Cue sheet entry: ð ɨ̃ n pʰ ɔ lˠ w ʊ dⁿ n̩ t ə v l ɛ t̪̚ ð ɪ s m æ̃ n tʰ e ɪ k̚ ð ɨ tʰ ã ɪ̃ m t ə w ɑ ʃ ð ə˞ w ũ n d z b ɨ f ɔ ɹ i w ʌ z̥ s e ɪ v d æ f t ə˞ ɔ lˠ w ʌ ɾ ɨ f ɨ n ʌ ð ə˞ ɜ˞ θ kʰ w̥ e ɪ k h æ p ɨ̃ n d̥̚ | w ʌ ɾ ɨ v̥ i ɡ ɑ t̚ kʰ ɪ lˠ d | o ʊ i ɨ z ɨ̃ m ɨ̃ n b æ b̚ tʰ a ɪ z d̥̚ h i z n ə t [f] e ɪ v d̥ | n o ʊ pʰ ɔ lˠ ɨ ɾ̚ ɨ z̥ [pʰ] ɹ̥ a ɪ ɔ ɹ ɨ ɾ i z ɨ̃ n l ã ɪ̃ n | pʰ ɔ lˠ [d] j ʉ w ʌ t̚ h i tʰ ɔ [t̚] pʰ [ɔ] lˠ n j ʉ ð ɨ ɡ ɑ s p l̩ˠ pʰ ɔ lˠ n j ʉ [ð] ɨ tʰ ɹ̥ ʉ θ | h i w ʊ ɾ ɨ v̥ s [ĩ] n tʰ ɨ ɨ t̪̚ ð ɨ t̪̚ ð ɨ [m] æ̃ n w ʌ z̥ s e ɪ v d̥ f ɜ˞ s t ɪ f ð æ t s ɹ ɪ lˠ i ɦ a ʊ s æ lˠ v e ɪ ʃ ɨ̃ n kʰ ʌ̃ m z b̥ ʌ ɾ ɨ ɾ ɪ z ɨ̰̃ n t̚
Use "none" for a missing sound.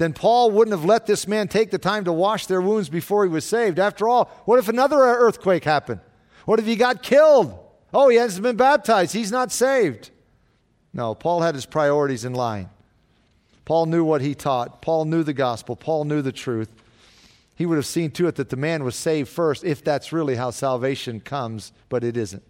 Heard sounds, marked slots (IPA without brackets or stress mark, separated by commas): s, pʰ, n, t̚, ɔ, ð, ĩ, m